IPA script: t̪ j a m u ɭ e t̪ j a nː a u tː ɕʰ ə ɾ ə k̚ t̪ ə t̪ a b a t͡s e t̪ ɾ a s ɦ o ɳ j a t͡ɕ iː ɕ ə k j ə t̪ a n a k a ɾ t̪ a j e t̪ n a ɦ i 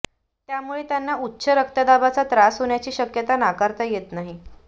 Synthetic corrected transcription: t̪ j a m u ɭ e t̪ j a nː a u tː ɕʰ ə ɾ ə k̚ t̪ ə d̪ a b a t͡s a t̪ ɾ a s ɦ o ɳ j a t͡ɕ iː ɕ ə k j ə t̪ a n a k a ɾ t̪ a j e t̪ n a ɦ i